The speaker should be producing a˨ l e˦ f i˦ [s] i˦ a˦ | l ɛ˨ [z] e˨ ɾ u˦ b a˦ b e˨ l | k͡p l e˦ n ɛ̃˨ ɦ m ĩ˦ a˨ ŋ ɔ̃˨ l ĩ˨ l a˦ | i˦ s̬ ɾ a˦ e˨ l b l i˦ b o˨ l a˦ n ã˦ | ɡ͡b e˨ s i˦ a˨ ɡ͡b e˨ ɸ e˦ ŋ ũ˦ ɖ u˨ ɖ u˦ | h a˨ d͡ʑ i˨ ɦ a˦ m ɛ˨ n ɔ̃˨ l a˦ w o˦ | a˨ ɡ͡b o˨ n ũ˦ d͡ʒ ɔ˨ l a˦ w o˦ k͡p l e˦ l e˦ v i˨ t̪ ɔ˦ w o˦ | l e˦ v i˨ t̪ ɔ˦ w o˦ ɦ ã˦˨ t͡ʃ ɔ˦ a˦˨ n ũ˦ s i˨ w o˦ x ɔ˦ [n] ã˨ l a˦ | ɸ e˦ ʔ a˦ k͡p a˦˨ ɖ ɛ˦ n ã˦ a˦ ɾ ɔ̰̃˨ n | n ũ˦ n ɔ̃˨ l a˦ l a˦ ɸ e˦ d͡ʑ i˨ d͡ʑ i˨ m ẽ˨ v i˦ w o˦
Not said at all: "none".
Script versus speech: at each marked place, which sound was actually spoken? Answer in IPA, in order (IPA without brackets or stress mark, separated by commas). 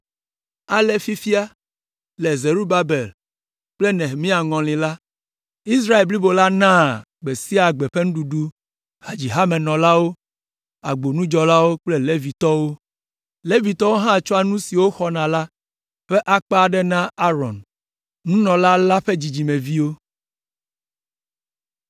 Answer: f, z, n